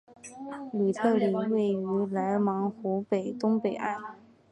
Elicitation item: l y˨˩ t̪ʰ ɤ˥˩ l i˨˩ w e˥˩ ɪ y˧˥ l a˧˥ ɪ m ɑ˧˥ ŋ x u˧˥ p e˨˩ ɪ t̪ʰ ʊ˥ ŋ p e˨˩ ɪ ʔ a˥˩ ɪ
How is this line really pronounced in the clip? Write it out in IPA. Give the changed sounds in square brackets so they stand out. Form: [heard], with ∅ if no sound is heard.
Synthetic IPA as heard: l y˨˩ t̪ʰ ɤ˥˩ l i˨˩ w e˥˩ ɪ y˧˥ l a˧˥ ɪ m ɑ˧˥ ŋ x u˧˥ p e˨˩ ɪ [t̪] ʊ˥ ŋ p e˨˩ ɪ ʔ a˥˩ ɪ